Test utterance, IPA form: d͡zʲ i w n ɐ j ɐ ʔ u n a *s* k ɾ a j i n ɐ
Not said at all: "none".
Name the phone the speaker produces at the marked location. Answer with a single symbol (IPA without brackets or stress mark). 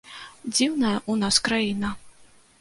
s